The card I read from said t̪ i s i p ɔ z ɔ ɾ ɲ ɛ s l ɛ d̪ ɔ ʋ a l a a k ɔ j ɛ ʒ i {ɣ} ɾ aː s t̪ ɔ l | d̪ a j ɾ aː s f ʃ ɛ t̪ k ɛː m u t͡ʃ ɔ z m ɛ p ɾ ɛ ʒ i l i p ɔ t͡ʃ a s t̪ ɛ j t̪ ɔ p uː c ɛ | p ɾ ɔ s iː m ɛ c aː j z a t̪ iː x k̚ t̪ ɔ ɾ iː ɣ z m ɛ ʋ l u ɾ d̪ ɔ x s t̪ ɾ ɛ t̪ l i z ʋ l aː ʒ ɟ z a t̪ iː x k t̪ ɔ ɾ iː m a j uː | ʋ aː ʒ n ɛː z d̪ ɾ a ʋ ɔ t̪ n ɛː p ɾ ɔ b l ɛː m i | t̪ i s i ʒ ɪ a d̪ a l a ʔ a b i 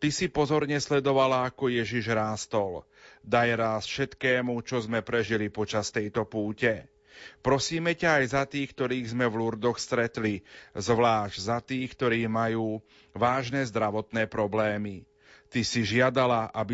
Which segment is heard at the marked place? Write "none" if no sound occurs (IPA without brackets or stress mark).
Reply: ʒ